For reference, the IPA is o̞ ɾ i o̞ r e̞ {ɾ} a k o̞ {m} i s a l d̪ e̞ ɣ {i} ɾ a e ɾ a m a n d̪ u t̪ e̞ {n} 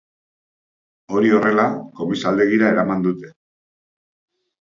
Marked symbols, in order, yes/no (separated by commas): no, yes, yes, no